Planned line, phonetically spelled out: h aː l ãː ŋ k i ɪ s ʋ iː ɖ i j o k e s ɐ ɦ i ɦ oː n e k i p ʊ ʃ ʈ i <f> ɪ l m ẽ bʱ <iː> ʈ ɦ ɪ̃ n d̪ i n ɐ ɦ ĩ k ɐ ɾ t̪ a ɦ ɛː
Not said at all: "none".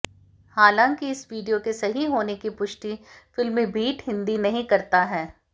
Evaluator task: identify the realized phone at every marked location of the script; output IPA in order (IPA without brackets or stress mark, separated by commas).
f, iː